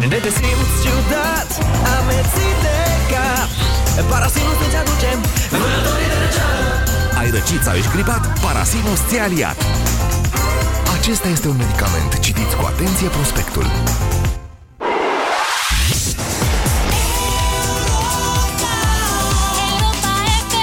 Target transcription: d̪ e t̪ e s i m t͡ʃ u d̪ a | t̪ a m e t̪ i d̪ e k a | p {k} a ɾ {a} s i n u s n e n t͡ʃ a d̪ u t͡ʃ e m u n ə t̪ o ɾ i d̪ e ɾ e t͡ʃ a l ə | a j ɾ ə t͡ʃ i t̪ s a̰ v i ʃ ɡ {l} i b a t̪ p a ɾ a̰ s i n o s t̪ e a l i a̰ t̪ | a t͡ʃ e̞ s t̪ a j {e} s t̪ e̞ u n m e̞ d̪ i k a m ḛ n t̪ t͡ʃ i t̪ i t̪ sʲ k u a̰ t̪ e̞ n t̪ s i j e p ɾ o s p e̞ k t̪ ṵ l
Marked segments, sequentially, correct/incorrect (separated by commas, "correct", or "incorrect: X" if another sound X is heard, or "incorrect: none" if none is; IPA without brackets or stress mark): incorrect: p, correct, incorrect: ɾ, correct